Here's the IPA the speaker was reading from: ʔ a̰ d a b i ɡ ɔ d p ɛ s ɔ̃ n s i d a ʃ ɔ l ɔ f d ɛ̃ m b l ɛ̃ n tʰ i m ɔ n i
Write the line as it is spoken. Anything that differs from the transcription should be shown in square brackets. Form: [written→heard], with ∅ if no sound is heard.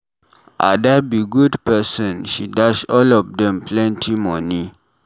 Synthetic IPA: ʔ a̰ d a b i ɡ [ɔ→u] d p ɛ s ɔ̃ n [s→ʃ] i d a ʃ ɔ l ɔ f d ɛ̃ m [b→p] l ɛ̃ n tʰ i m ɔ n i